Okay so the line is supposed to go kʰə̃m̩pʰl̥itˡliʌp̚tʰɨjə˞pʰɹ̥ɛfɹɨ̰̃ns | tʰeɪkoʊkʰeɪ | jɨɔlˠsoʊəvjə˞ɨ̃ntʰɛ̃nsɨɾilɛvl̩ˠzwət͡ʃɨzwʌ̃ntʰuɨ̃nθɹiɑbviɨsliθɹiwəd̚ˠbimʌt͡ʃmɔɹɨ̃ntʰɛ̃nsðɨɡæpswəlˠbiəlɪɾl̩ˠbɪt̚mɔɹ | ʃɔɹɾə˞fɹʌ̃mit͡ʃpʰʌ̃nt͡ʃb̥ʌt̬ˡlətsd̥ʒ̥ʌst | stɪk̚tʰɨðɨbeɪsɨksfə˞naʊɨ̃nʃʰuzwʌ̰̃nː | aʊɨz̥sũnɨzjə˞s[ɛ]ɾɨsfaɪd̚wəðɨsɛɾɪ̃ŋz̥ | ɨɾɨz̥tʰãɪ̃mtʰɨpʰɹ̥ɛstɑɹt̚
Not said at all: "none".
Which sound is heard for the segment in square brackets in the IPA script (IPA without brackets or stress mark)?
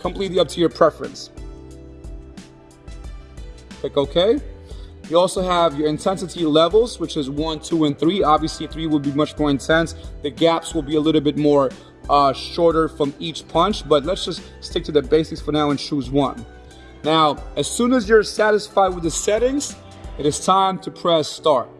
æ